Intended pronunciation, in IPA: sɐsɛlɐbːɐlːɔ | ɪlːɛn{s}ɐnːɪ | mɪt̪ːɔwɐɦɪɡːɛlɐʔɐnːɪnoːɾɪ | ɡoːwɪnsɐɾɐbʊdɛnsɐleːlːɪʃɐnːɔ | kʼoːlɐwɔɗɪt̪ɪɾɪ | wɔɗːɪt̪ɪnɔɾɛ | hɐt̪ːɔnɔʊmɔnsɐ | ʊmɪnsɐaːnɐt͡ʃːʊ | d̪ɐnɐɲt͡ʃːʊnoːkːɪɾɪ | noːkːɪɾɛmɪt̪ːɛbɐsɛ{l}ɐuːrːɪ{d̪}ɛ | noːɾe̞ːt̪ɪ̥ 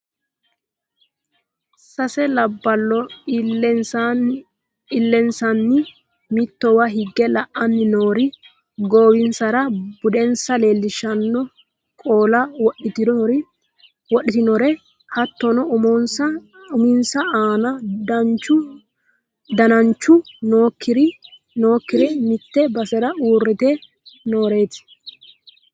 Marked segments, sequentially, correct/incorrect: correct, incorrect: ɾ, incorrect: t̪

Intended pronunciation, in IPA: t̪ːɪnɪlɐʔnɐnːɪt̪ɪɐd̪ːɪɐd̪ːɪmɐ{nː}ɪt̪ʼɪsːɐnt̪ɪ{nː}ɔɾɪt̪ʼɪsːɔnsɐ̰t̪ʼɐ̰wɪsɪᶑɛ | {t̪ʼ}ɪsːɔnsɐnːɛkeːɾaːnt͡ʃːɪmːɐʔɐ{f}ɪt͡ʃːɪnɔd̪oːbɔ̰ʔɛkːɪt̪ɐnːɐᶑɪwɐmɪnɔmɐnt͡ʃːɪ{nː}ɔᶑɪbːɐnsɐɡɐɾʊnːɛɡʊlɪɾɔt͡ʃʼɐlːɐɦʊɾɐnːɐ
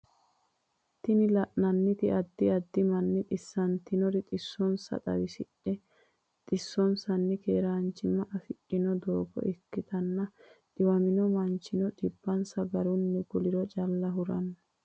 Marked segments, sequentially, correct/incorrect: correct, incorrect: n, correct, correct, incorrect: n

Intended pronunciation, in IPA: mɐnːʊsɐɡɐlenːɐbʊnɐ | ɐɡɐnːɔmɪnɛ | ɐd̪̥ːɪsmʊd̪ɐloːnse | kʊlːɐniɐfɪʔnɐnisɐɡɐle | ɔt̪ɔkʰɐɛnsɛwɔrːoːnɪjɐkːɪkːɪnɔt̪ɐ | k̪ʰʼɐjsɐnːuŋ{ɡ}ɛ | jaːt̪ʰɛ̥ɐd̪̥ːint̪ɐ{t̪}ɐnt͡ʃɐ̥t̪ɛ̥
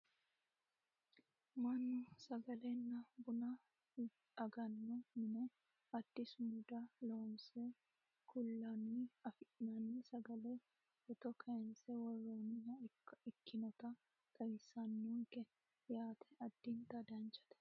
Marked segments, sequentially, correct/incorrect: incorrect: k, incorrect: d̪

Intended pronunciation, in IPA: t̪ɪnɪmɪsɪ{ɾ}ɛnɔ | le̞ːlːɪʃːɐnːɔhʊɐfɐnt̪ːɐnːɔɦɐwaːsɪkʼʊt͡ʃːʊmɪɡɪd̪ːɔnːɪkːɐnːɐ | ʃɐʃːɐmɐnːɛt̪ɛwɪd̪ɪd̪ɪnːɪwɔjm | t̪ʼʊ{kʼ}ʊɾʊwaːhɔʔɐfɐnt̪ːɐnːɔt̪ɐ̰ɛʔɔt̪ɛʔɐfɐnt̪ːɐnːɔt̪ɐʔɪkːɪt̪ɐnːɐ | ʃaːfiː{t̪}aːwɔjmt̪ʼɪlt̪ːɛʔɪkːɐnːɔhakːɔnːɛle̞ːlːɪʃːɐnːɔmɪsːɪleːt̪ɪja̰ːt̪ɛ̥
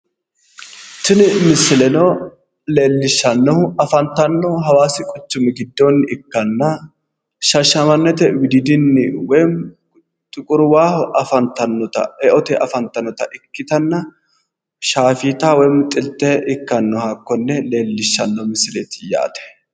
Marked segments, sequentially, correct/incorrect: incorrect: l, correct, correct

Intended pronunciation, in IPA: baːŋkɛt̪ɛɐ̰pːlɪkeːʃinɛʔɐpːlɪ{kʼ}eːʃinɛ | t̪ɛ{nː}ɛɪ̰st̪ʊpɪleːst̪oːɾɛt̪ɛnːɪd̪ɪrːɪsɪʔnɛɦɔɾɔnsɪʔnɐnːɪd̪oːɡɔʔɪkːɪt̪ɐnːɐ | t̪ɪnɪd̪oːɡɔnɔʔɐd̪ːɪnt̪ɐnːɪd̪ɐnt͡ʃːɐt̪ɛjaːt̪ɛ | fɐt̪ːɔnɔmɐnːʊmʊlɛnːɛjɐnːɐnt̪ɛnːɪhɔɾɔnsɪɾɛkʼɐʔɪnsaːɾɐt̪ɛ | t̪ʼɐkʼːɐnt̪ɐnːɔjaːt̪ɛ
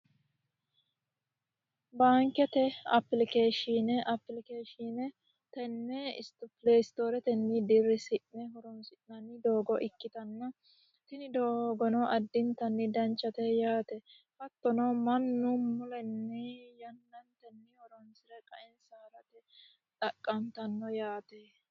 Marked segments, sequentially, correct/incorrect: incorrect: k, correct

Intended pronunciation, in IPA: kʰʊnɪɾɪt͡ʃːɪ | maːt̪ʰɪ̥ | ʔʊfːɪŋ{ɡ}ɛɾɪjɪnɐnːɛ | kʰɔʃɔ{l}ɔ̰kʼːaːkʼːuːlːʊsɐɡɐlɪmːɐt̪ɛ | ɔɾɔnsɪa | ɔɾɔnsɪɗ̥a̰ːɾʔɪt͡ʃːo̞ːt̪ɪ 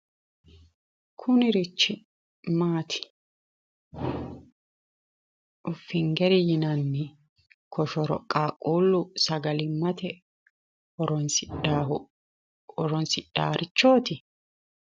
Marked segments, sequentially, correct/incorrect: correct, incorrect: ɾ

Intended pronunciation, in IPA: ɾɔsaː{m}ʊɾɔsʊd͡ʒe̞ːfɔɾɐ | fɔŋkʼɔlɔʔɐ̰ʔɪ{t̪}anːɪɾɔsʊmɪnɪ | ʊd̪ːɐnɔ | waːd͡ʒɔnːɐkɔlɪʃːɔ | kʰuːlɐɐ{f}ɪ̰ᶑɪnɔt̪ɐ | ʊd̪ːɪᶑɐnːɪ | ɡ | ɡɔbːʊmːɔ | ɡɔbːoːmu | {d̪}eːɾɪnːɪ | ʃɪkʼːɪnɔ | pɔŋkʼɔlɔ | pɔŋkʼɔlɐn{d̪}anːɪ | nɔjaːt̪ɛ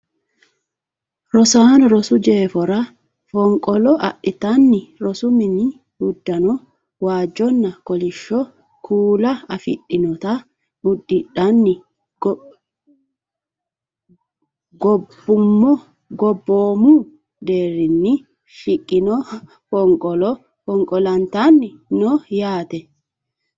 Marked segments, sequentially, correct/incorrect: incorrect: n, correct, correct, correct, incorrect: t̪

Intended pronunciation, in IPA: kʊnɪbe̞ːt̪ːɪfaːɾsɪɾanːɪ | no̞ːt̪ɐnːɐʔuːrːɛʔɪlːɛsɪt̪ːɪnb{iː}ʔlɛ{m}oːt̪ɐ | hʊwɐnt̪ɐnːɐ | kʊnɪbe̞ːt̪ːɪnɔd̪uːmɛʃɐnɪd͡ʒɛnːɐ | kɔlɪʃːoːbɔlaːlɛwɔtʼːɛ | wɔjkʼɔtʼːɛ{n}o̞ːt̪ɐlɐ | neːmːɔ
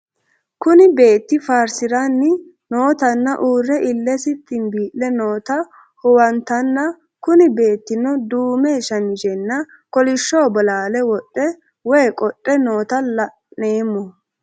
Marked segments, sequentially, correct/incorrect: correct, incorrect: n, correct

